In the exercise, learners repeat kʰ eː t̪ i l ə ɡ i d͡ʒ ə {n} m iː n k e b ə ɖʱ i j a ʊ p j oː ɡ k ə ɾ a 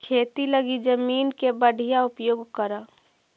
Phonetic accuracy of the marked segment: incorrect: none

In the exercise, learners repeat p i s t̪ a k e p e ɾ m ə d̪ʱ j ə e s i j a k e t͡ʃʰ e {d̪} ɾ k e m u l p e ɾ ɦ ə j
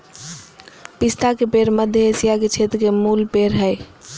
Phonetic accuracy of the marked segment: incorrect: t̪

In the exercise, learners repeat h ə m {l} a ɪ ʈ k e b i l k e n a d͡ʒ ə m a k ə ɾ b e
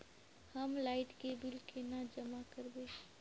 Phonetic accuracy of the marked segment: correct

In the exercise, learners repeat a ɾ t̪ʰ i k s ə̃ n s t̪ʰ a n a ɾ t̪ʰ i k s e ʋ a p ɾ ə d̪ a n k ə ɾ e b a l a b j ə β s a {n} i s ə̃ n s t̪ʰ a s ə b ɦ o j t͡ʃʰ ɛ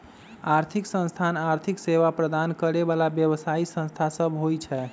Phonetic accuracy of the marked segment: incorrect: none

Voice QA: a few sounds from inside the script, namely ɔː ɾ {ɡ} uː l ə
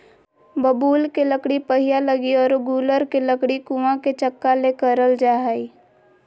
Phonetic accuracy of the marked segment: correct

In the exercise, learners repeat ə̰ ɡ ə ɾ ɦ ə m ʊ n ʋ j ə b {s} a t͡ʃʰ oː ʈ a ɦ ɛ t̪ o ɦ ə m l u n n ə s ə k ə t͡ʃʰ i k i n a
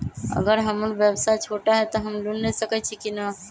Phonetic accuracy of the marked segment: correct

